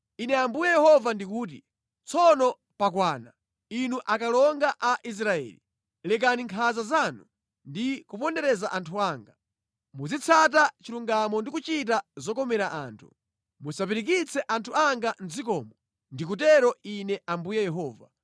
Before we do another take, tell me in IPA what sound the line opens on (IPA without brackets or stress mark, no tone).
i